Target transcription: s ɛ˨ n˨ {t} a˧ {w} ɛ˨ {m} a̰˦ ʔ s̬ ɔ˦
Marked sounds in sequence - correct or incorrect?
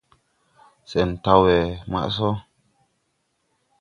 correct, correct, correct

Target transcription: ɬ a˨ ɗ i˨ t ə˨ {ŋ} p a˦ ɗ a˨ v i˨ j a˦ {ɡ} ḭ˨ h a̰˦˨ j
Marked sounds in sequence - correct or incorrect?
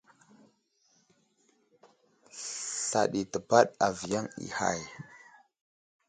incorrect, incorrect

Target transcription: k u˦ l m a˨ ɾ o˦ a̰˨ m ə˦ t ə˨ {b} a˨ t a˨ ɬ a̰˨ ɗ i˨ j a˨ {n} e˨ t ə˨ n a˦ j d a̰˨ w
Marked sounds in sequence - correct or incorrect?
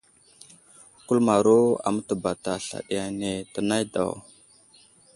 correct, correct

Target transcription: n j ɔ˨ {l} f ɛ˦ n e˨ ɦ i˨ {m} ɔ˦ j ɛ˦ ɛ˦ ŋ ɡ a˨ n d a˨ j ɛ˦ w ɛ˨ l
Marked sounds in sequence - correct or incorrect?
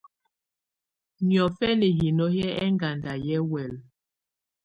incorrect, incorrect

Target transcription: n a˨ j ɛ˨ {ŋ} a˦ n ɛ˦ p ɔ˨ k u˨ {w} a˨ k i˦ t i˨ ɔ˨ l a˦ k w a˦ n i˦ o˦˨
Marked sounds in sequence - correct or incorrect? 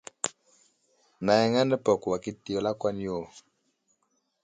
correct, correct

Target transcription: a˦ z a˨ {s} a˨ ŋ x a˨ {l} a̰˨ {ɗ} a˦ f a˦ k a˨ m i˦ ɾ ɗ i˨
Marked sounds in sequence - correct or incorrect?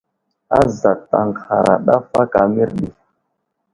incorrect, incorrect, correct

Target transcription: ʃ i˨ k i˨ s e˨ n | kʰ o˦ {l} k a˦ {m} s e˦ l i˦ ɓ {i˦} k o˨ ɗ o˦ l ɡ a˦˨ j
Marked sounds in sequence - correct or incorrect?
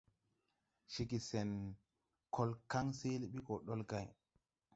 correct, incorrect, correct

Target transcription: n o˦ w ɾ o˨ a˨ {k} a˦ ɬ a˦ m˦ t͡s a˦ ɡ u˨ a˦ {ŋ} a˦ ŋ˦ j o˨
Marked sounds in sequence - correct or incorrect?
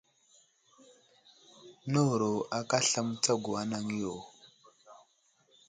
correct, incorrect

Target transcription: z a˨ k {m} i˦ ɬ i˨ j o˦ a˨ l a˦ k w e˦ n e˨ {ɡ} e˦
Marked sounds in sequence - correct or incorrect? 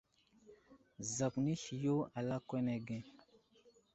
incorrect, correct

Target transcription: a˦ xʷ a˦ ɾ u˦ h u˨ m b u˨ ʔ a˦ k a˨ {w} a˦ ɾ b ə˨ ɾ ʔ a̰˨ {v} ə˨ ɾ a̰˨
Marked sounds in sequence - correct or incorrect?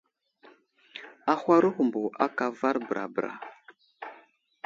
incorrect, incorrect

